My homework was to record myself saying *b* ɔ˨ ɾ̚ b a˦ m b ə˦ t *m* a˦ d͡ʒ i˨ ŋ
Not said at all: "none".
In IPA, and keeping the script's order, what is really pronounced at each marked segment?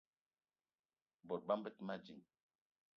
b, m

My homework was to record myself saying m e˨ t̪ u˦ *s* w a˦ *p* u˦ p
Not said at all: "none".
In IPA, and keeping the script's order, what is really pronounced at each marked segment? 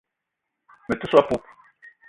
s, p

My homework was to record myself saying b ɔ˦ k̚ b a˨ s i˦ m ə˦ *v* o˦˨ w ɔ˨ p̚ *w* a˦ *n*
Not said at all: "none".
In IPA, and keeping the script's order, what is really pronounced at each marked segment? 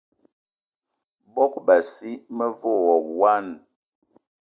v, w, n

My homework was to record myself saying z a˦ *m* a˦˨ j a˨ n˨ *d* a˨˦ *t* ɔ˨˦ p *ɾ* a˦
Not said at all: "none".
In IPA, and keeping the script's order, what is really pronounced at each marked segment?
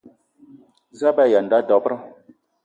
b, d, d, ɾ

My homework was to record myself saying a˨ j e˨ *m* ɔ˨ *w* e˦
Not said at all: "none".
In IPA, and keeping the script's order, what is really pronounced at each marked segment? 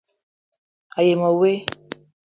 m, w

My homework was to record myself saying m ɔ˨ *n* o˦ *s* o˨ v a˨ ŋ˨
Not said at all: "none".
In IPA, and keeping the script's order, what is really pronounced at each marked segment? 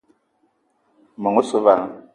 ŋ, s

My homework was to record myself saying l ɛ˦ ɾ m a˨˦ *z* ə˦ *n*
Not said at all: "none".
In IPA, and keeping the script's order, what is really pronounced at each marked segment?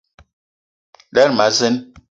z, n

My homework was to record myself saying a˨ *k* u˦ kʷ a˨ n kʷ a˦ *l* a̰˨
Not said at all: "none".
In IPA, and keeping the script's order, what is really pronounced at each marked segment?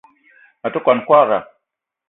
t, ɾ

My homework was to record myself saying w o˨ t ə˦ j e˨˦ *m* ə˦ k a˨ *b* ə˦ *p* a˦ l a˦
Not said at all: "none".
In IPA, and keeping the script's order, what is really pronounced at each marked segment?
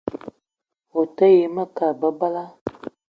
m, b, b

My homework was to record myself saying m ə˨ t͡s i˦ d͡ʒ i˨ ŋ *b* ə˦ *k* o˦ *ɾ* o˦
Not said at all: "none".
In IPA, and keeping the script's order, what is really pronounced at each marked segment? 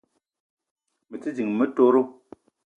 m, t, ɾ

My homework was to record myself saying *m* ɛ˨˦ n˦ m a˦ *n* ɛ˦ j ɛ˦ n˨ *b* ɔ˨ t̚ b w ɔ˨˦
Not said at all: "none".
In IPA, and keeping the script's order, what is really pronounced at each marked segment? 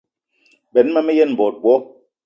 b, m, b

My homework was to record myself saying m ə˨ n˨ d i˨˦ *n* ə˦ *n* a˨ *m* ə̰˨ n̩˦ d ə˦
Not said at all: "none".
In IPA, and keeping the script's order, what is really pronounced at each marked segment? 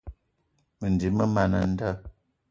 m, m, n

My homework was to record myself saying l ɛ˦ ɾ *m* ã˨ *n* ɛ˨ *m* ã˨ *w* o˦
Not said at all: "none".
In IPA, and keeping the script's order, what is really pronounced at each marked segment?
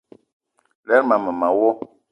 m, m, m, w

